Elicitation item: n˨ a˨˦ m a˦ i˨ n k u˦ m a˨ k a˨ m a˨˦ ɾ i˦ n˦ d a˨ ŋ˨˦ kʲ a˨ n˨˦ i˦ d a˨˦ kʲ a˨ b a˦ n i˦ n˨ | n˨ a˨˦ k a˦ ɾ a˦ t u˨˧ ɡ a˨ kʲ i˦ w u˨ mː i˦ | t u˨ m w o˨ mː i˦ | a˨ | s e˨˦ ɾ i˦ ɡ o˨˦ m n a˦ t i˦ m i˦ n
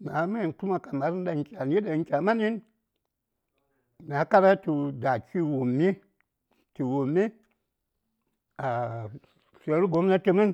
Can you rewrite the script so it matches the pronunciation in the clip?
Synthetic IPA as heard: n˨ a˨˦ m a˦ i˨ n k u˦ m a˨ k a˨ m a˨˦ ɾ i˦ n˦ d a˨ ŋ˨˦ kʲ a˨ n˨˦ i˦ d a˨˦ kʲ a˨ m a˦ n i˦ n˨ | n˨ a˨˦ k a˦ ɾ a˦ t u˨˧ d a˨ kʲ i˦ w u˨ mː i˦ | t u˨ w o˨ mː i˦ | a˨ | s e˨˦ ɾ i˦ ɡ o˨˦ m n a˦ t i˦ m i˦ n